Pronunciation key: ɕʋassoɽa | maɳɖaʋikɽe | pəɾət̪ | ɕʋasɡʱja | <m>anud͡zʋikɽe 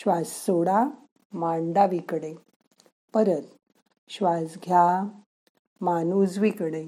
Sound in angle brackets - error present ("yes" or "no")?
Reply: no